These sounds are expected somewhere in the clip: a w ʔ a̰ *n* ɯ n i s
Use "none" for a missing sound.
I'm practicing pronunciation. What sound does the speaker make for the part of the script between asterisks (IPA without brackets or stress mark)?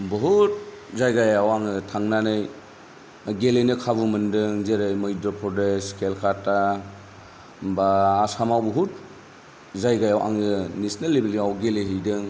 ŋ